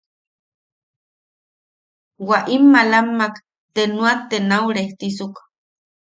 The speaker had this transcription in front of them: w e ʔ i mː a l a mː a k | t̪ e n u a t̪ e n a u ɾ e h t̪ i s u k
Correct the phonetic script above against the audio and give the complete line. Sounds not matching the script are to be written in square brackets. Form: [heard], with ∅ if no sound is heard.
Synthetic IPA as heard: w [a] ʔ i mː a l a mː a k | t̪ e n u a t̪ e n a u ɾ e h t̪ i s u k